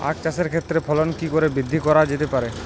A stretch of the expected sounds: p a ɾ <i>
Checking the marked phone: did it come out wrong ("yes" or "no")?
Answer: yes